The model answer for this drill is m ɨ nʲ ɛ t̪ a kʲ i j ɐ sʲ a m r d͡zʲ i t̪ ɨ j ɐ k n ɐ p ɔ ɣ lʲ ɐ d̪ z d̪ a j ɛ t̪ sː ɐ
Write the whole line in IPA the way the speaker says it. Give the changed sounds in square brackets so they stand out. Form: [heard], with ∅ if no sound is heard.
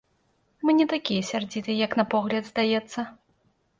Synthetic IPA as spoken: m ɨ nʲ ɛ t̪ a kʲ i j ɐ sʲ a [∅] r d͡zʲ i t̪ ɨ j ɐ k n ɐ p ɔ ɣ lʲ ɐ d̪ z d̪ a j ɛ t̪ sː ɐ